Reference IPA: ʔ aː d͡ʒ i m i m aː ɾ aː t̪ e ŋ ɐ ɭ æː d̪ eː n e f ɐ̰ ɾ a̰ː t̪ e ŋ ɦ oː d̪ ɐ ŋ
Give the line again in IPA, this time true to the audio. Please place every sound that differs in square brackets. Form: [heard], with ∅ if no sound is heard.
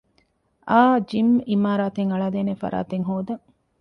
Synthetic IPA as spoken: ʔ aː d͡ʒ i m i m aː ɾ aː t̪ e ŋ ɐ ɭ [aː] d̪ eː n e f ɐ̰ ɾ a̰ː t̪ e ŋ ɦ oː d̪ ɐ ŋ